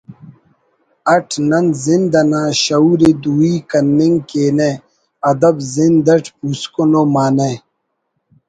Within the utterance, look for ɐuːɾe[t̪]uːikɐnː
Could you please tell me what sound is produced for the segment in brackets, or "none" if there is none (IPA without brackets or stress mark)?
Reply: d̪